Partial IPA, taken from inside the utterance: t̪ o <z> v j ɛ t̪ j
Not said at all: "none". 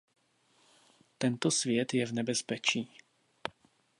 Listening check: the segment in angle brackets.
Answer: s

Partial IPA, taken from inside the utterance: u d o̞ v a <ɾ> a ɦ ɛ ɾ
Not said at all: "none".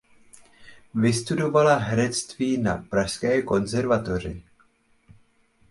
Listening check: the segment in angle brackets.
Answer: l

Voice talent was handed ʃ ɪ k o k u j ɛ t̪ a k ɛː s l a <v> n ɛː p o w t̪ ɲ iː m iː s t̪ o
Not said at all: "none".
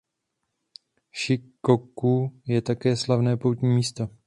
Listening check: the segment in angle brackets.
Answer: v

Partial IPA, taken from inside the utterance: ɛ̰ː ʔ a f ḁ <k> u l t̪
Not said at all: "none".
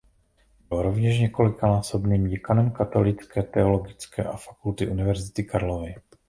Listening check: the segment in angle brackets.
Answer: k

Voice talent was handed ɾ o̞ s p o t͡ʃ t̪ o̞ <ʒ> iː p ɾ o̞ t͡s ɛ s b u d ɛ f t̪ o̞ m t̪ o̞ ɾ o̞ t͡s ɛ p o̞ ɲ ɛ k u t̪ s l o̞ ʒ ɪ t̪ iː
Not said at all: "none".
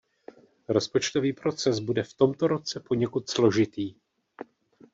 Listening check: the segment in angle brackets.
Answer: v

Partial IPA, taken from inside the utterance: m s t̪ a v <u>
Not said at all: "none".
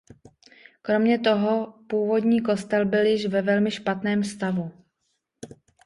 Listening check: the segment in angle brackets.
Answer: u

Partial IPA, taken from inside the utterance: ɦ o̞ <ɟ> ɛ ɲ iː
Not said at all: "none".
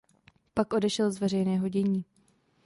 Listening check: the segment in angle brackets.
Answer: ɟ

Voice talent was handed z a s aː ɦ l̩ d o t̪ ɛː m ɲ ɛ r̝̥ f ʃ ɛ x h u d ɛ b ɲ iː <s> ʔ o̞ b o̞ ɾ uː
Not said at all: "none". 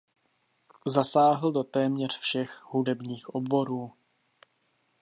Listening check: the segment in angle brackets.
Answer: x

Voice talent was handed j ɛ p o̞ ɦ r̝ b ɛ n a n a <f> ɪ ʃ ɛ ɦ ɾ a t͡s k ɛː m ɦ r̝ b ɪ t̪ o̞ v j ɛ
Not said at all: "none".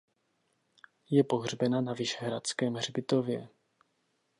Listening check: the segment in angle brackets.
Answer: v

